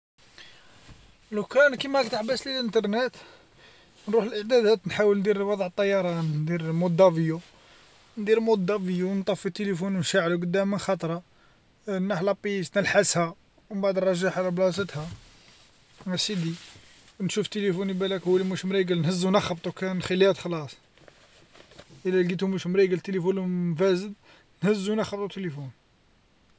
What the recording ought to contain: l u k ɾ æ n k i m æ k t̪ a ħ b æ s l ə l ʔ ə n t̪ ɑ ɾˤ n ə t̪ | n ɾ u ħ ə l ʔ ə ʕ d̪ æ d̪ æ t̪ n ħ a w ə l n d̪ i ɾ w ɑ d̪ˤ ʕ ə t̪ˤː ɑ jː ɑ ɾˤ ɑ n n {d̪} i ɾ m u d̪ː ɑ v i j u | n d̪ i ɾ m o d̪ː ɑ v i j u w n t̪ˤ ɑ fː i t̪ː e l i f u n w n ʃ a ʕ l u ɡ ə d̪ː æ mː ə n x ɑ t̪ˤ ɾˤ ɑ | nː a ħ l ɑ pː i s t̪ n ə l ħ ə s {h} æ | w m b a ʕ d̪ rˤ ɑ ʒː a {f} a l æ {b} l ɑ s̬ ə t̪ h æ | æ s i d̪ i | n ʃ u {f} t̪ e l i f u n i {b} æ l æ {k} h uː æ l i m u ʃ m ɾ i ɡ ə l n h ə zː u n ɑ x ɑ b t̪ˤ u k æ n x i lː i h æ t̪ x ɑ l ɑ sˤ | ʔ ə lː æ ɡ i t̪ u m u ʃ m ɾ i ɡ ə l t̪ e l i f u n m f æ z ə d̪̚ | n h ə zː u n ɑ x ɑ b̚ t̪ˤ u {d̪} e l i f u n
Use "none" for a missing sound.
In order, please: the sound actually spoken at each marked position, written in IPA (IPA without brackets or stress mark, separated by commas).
d̪, h, ħ, b, f, b, k, t̪